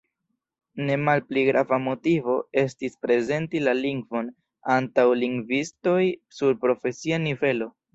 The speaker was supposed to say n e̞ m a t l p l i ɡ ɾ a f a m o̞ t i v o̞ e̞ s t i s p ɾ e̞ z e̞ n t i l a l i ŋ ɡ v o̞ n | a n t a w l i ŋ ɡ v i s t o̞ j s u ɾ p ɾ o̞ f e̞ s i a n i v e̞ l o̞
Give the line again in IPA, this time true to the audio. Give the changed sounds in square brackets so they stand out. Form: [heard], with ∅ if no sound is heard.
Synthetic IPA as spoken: n e̞ m a [∅] l p l i ɡ ɾ a [v] a m o̞ t i v o̞ e̞ s t i s p ɾ e̞ z e̞ n t i l a l i ŋ ɡ v o̞ n | a n t a w l i ŋ ɡ v i s t o̞ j s u ɾ p ɾ o̞ f e̞ s i a n i v e̞ l o̞